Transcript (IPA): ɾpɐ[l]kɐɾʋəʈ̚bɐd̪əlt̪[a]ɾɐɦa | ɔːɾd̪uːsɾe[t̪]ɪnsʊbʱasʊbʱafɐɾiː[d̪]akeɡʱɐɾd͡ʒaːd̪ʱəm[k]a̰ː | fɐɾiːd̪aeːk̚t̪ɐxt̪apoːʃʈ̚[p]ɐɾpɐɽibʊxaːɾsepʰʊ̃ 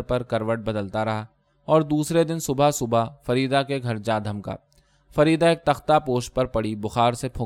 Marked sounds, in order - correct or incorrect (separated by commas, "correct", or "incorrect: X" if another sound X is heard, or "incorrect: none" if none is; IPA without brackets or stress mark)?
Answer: incorrect: ɾ, correct, incorrect: d̪, correct, correct, correct